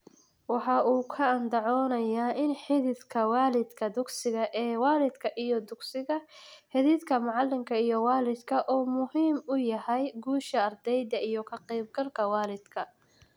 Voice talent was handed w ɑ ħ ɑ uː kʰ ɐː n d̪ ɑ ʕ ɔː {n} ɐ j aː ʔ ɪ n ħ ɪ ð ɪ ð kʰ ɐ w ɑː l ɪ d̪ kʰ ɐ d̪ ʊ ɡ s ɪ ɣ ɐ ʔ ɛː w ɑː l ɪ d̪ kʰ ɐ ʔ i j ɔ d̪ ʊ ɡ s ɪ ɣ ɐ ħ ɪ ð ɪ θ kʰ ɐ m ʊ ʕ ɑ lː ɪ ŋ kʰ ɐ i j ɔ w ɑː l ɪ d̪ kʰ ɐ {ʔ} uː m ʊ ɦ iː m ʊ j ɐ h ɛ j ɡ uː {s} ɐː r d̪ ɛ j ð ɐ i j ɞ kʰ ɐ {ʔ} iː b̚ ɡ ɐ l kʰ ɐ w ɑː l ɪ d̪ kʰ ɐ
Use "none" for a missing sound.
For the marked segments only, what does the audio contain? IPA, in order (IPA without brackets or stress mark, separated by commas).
n, ʔ, ʃ, q